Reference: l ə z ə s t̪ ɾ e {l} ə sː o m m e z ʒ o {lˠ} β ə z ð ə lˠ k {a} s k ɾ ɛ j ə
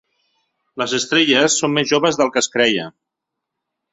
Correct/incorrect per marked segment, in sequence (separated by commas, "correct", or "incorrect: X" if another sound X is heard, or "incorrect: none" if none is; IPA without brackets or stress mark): incorrect: ʎ, incorrect: none, incorrect: ə